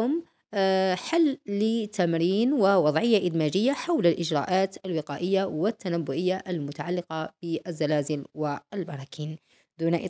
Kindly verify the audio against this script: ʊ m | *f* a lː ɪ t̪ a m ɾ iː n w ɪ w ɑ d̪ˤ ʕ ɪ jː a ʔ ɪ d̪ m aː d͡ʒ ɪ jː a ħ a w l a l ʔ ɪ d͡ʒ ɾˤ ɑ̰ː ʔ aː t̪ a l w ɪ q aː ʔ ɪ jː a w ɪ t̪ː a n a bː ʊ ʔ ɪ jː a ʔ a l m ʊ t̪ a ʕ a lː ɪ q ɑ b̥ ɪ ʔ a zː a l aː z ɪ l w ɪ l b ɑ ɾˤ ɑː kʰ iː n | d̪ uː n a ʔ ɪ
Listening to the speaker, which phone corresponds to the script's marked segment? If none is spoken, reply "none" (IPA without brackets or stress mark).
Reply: ħ